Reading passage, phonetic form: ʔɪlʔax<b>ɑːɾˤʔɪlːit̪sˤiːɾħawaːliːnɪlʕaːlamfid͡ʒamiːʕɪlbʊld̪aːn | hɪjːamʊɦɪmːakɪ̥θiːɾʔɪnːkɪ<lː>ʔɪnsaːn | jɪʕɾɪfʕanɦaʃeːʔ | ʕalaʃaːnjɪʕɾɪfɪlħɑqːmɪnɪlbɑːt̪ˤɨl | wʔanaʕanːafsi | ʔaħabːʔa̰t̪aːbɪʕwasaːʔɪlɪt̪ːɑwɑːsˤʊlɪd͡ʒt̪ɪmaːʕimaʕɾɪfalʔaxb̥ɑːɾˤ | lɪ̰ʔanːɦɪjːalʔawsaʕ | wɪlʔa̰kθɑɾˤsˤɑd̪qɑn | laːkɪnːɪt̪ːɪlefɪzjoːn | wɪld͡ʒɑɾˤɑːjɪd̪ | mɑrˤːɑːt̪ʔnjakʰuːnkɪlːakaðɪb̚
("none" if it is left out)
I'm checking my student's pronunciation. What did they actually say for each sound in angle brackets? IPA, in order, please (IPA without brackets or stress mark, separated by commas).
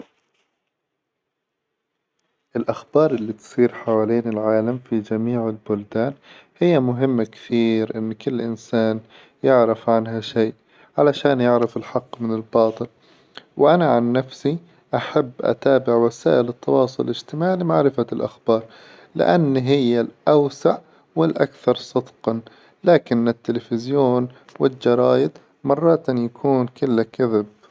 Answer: b, lː